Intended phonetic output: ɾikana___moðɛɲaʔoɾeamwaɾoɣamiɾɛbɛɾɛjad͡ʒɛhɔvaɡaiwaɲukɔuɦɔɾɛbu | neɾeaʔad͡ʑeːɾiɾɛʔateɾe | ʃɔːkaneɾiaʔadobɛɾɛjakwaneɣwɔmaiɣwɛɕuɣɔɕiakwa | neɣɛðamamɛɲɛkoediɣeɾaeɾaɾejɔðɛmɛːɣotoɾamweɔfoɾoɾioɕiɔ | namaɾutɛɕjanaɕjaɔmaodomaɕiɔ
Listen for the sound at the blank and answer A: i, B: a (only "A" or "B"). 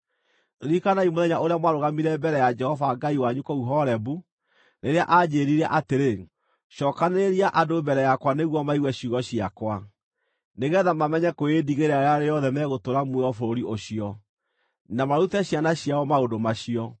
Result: A